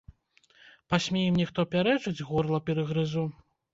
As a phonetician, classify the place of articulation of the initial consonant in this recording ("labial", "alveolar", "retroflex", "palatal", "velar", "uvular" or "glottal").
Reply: labial